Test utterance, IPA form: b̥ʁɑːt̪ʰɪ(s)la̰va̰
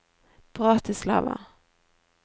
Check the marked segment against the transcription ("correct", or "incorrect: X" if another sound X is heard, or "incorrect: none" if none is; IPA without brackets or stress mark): correct